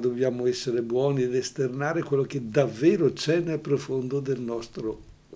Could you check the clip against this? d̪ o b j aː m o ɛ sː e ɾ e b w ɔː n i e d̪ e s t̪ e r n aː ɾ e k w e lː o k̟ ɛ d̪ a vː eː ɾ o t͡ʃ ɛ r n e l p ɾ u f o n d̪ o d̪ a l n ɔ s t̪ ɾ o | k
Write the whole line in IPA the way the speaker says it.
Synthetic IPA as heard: d̪ o b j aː m o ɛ sː e ɾ e b w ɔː n i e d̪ e s t̪ e r n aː ɾ e k w e lː o k̟ e d̪ a vː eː ɾ o t͡ʃ ɛ n e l p ɾ o f o n d̪ o d̪ e l n ɔ s t̪ ɾ o | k